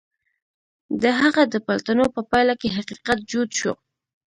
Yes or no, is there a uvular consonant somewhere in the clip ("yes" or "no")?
yes